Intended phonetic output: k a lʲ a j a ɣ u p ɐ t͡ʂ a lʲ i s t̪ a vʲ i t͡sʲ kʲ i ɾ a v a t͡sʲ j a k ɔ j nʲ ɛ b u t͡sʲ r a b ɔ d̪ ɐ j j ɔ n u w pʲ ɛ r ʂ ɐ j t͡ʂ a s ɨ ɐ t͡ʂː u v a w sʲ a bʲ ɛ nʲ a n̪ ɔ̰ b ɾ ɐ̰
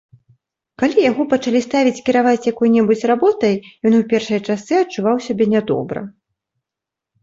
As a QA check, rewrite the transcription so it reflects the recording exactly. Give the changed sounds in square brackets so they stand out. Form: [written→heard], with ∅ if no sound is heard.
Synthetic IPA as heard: k a lʲ [a→i] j a ɣ [u→ɔ] p ɐ t͡ʂ a lʲ i s t̪ a vʲ i t͡sʲ kʲ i ɾ a v a t͡sʲ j a k ɔ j nʲ ɛ b u t͡sʲ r a b ɔ [d̪→t̪] ɐ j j ɔ n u w pʲ ɛ r ʂ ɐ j t͡ʂ a s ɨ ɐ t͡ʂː u v a w sʲ a bʲ ɛ nʲ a [n̪→d̪] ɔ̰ b ɾ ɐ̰